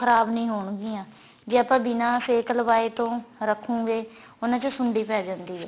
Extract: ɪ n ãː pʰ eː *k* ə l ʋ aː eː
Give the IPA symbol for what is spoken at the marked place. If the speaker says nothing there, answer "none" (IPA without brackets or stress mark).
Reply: k